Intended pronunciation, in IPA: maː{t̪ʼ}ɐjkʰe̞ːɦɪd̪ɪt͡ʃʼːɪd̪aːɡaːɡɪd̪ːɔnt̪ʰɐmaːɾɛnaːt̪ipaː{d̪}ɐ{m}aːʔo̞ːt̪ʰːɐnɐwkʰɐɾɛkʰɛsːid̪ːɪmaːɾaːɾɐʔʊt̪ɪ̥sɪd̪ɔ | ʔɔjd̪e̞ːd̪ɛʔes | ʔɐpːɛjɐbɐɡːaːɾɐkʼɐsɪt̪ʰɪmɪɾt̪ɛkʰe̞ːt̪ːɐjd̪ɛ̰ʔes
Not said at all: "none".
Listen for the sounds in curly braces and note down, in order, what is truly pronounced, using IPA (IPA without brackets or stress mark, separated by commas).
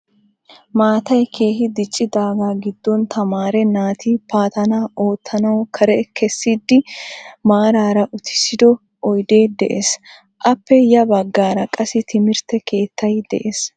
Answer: t̪, t̪, n